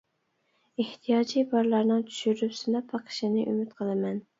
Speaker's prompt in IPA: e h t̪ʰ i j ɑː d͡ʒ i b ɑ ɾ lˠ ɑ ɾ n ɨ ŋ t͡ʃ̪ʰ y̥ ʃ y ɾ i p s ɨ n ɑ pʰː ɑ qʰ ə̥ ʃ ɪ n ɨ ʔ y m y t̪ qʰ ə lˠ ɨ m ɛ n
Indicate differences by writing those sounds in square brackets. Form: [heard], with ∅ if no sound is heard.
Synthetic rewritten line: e h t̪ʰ i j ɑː d͡ʒ i b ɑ ɾ lˠ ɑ ɾ n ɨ ŋ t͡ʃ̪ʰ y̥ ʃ y ɾ [y] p s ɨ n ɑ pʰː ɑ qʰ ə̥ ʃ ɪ n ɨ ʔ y m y t̪ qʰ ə lˠ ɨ m ɛ n

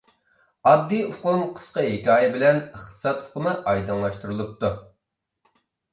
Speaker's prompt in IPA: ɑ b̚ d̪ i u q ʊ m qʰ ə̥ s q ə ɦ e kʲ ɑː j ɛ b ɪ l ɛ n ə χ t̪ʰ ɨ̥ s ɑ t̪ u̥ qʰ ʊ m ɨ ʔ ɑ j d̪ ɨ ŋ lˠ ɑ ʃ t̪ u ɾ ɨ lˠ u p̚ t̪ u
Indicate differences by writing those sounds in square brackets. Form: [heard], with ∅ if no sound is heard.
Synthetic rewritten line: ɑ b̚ d̪ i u q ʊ m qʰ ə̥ s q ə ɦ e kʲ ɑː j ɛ b ɪ l ɛ n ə χ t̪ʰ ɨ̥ s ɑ t̪ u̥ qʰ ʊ m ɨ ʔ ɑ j d̪ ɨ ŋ lˠ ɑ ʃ t̪ u ɾ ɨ lˠ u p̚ t̪ u

